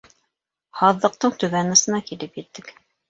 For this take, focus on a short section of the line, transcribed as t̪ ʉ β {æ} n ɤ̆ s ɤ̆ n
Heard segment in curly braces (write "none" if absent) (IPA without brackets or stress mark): æ